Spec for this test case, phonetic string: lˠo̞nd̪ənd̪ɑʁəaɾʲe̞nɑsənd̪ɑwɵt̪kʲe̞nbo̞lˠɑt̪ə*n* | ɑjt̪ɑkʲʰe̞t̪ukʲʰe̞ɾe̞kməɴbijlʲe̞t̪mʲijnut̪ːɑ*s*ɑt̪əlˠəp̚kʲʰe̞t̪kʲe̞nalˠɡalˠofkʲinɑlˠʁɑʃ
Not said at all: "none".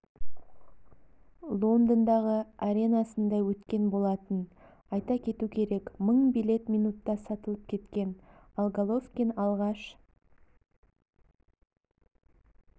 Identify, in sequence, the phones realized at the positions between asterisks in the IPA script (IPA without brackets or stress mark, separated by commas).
n, s